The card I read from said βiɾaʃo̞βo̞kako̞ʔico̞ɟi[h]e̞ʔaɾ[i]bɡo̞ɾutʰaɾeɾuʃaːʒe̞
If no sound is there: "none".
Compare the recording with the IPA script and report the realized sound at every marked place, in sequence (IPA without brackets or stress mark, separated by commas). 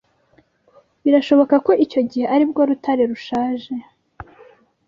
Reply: h, i